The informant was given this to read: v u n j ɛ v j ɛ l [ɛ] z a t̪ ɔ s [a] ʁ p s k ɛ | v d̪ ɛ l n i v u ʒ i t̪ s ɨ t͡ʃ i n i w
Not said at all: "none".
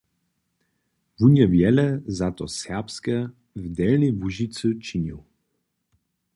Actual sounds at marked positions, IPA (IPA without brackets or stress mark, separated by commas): ɛ, ɛ